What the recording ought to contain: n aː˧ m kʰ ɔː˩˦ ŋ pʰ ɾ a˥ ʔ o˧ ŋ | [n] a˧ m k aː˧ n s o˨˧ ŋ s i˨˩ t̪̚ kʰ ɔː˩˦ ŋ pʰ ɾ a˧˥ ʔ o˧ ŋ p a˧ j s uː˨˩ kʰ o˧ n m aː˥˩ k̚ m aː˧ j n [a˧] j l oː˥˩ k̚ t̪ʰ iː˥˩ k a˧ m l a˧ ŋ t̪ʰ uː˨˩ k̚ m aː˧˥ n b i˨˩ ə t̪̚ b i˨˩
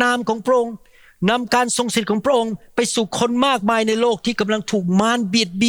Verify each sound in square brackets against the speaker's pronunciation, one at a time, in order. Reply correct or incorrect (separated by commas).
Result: correct, correct